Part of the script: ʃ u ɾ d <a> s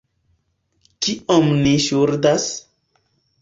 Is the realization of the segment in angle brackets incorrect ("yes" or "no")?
no